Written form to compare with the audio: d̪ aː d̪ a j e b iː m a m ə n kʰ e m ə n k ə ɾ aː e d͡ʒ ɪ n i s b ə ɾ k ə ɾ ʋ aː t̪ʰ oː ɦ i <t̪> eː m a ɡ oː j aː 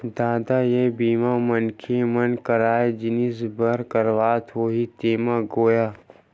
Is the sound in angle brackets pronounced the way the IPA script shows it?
yes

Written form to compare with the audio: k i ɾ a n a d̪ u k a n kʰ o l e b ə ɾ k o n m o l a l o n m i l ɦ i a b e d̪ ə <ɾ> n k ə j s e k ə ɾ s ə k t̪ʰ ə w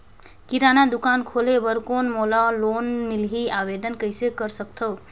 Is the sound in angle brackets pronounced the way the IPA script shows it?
no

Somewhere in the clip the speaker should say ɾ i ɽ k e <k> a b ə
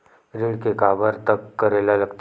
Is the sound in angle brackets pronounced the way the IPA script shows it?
yes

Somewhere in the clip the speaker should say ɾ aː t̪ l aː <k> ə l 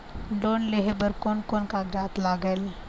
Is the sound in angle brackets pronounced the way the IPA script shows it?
no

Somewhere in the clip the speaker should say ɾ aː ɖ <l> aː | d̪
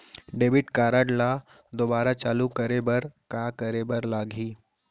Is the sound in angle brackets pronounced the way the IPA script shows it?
yes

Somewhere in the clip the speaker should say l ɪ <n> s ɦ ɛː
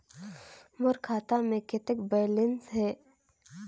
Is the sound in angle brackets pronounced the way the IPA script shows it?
yes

